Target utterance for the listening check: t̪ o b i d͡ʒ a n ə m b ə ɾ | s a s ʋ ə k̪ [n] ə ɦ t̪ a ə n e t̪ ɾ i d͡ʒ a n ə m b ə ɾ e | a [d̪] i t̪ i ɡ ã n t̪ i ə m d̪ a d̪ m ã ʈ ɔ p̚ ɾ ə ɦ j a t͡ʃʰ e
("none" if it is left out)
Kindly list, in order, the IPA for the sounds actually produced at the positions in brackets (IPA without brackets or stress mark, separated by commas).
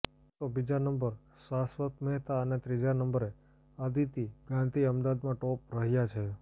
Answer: m, d̪